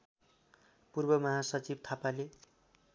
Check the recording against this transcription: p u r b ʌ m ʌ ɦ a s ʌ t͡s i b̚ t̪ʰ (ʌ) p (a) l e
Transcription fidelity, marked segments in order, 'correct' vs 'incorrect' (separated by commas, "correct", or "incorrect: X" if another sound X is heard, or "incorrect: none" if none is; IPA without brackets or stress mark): incorrect: a, correct